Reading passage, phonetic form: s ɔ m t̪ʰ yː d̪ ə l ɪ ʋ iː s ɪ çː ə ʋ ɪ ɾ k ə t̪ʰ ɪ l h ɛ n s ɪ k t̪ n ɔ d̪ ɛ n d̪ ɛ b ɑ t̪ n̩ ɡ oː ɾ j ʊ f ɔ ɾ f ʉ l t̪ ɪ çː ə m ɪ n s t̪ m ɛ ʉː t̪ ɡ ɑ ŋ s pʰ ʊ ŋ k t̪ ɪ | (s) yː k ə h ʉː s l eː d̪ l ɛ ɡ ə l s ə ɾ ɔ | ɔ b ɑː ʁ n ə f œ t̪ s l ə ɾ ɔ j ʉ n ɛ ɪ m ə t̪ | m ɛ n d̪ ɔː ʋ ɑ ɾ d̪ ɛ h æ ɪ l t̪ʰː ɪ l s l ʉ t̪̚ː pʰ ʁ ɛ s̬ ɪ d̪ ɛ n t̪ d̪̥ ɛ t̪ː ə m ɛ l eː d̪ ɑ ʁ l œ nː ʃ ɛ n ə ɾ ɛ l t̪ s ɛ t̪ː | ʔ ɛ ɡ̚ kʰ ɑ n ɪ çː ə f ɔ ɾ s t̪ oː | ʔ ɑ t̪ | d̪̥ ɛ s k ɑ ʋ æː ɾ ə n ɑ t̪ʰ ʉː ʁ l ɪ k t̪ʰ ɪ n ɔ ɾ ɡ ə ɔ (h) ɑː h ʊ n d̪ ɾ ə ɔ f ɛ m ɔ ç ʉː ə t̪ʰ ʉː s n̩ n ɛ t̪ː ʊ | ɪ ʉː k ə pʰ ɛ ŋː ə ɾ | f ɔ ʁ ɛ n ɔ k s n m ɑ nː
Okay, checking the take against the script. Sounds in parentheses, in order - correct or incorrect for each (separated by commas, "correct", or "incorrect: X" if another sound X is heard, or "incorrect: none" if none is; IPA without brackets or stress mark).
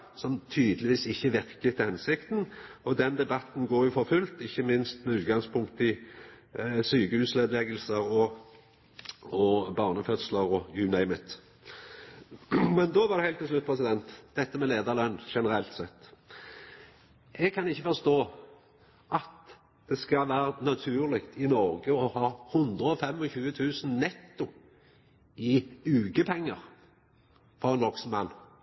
correct, correct